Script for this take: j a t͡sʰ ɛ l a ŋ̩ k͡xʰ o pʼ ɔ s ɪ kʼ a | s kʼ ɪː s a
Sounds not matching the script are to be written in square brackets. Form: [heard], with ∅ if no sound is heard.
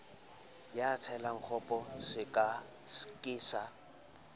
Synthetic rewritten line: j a t͡sʰ ɛ l a ŋ̩ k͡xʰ [ɔ] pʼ ɔ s ɪ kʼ a | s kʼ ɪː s a